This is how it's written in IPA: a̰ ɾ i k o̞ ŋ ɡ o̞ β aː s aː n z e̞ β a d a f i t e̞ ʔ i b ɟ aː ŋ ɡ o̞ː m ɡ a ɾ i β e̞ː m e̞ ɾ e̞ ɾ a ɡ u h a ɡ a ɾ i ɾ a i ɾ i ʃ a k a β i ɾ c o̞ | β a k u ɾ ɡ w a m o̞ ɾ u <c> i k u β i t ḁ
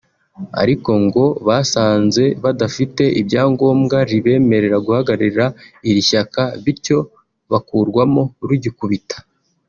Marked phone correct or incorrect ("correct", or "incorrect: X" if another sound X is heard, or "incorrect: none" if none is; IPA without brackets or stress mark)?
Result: incorrect: ɟ